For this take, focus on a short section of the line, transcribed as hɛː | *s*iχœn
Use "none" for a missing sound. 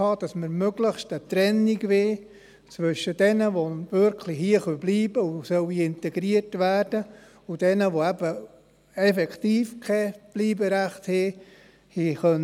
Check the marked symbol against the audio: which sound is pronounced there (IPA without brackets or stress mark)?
h